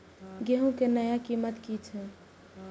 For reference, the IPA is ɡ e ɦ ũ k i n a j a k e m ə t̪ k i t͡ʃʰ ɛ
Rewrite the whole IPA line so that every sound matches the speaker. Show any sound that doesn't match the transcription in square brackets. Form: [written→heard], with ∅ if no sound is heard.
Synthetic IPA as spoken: ɡ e ɦ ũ k [i→e] n [a→ə] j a k [e→i] m ə t̪ k i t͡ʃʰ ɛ